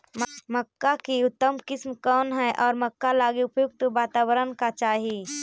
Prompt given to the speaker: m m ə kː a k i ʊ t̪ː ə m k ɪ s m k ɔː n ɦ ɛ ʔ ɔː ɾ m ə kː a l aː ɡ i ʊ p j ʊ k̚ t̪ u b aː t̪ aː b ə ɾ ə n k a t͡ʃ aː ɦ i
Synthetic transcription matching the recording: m m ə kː a k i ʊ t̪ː ə m k ɪ s m k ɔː n ɦ ɛ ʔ ɔː ɾ m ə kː a l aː ɡ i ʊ p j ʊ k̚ t̪ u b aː t̪ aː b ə ɾ ə n k a t͡ʃ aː ɦ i